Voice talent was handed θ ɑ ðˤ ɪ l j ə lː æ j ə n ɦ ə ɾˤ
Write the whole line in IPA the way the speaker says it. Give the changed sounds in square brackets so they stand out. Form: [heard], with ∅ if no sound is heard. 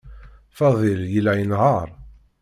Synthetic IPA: [f] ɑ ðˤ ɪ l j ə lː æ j ə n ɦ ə ɾˤ